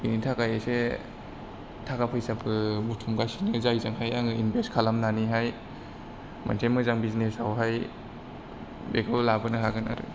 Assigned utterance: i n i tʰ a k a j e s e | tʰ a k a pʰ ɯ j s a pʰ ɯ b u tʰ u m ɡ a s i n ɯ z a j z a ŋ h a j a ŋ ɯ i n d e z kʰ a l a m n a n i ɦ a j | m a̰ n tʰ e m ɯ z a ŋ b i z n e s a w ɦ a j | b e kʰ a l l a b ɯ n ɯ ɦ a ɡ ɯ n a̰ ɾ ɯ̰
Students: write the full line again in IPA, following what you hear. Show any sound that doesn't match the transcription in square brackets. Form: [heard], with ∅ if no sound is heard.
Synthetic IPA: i n i tʰ a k a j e s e | tʰ a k a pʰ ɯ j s a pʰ ɯ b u tʰ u m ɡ a s i n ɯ z a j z a ŋ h a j a ŋ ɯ i n [b] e [s] kʰ a l a m n a n i ɦ a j | m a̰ n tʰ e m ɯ z a ŋ b i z n e s a w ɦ a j | b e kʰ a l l a b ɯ n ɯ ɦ a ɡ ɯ n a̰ ɾ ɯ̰